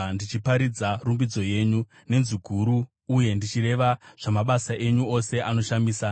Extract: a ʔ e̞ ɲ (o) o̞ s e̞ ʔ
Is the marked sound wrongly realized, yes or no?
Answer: yes